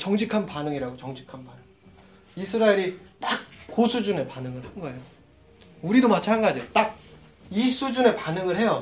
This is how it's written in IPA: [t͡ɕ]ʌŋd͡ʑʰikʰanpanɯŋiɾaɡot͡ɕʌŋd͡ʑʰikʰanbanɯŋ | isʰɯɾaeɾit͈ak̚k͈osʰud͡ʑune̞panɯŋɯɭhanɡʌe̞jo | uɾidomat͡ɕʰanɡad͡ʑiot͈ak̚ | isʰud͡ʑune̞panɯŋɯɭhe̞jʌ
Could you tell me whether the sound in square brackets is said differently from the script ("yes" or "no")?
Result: no